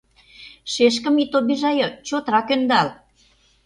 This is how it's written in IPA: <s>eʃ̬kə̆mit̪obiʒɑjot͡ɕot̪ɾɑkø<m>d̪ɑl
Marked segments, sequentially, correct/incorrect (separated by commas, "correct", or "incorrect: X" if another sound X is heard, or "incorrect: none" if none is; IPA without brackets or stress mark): incorrect: ʃ, incorrect: n